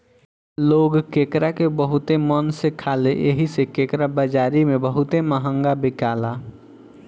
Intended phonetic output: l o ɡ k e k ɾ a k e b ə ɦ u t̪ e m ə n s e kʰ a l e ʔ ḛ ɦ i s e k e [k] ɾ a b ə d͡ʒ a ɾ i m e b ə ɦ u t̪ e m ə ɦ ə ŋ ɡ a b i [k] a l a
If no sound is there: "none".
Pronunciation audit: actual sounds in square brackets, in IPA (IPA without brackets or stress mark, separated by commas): k, k